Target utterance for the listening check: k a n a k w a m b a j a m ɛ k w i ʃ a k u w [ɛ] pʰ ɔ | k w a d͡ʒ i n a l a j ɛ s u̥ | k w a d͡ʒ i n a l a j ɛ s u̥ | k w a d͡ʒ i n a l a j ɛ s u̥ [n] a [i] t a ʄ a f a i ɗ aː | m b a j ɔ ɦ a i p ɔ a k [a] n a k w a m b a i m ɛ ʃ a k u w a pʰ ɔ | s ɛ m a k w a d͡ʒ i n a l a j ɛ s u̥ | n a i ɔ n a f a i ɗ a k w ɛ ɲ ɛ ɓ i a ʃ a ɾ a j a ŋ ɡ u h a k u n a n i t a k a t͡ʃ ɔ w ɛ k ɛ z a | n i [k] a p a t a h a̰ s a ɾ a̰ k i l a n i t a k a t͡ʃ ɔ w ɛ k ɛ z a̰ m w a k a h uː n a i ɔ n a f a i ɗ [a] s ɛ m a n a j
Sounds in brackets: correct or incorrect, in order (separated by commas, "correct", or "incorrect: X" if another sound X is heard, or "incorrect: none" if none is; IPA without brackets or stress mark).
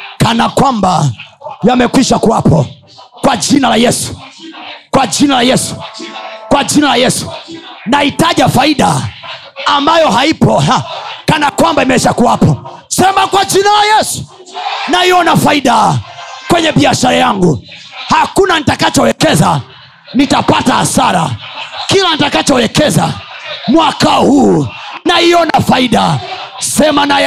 incorrect: a, correct, correct, correct, incorrect: t, correct